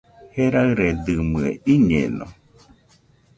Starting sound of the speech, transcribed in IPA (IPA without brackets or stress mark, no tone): h